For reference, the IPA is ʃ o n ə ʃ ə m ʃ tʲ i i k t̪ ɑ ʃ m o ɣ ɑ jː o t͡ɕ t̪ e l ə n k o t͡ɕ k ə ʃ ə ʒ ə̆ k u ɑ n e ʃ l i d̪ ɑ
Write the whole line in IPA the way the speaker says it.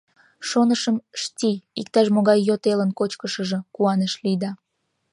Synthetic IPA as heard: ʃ o n ə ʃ ə m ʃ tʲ i i k t̪ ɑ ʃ m o ɣ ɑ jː o t̪ e l ə n k o t͡ɕ k ə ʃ ə ʒ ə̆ k u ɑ n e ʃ l i d̪ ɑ